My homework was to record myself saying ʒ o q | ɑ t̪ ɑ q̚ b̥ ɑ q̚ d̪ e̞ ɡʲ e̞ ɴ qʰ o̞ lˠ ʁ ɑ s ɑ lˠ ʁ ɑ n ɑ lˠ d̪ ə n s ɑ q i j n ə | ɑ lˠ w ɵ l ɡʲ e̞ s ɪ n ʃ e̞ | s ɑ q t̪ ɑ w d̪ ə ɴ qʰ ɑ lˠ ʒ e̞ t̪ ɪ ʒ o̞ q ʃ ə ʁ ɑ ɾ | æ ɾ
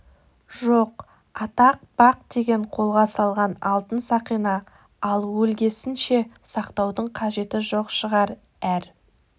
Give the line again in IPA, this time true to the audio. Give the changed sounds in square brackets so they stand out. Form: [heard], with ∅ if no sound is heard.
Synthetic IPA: ʒ o q | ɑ t̪ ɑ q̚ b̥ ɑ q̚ d̪ e̞ ɡʲ e̞ ɴ qʰ o̞ lˠ ʁ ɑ s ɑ lˠ ʁ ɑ n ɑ lˠ [t̪] ə n s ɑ q i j n [ɑ] | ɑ lˠ w ɵ l ɡʲ e̞ s ɪ n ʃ e̞ | s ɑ q t̪ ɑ w d̪ ə ɴ qʰ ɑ [∅] ʒ e̞ t̪ ɪ ʒ o̞ q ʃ ə ʁ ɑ ɾ | æ ɾ